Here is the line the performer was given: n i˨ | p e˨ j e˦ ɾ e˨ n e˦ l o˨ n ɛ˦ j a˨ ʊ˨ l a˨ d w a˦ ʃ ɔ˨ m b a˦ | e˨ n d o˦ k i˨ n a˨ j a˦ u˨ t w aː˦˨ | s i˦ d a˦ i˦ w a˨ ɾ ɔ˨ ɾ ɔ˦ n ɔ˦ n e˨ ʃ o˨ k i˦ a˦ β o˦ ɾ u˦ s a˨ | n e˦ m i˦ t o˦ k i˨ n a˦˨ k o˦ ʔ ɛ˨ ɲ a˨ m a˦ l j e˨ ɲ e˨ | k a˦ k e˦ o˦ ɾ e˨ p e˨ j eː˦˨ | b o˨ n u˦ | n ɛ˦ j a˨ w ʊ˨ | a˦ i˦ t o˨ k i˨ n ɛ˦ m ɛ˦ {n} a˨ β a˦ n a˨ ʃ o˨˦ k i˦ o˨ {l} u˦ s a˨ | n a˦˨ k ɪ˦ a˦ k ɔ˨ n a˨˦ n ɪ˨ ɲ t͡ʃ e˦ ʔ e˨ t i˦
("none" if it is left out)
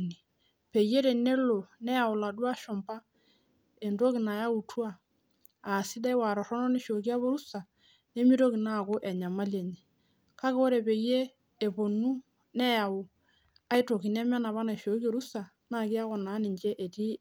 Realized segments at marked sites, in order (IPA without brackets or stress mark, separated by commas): n, ɾ